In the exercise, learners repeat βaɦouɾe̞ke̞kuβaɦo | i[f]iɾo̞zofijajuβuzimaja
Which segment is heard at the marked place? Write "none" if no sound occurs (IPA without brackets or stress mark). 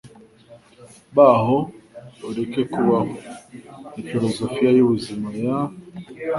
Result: f